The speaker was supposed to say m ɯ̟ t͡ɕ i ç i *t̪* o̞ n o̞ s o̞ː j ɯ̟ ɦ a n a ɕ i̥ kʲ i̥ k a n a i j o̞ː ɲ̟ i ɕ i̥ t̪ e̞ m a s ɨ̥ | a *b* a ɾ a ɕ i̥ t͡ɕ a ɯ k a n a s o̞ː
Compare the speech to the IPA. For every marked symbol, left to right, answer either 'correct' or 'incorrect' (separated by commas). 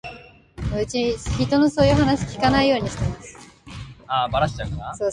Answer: correct, correct